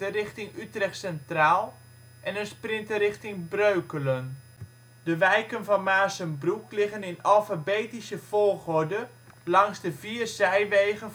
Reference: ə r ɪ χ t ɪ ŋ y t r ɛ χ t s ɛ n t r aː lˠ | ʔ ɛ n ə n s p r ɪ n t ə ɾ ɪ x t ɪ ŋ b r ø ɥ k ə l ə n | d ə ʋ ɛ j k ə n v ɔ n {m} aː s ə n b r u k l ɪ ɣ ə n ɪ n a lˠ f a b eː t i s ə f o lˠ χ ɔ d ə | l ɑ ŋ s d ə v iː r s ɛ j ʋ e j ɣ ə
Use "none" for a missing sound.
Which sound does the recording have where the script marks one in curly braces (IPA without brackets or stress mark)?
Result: m